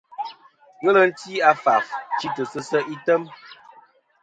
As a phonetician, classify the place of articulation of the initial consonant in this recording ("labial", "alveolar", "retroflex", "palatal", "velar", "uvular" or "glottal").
velar